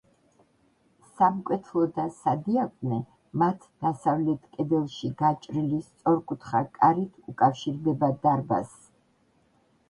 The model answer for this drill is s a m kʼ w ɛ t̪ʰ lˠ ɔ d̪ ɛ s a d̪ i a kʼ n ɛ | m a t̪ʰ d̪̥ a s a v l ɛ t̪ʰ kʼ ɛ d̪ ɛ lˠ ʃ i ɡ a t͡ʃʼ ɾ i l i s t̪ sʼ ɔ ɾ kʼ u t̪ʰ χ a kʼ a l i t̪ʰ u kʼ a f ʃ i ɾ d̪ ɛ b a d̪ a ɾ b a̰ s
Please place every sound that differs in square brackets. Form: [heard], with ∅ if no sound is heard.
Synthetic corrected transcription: s a m kʼ w ɛ t̪ʰ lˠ ɔ d̪ [a] s a d̪ i a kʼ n ɛ | m a t̪ʰ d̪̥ a s a v l ɛ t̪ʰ kʼ ɛ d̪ ɛ lˠ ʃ i ɡ a t͡ʃʼ ɾ i l i s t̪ sʼ ɔ ɾ kʼ u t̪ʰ χ a kʼ a [ɾ] i t̪ʰ u kʼ a f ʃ i ɾ d̪ ɛ b a d̪ a ɾ b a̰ s